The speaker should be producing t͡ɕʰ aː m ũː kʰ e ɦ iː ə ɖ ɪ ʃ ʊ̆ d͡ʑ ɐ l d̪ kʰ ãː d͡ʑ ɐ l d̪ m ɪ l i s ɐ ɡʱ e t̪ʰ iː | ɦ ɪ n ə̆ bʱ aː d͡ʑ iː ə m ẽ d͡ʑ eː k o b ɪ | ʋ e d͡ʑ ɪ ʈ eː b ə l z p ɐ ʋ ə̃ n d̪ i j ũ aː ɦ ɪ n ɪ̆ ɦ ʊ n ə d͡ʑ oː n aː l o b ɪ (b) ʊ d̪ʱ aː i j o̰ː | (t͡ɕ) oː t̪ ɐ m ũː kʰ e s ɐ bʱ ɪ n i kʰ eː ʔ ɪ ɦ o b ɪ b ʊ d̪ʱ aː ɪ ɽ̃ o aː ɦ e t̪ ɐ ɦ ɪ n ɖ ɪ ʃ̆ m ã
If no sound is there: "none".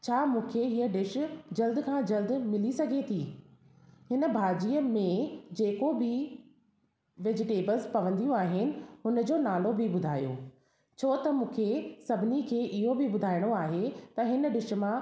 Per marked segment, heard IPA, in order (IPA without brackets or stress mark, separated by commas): b, t͡ɕʰ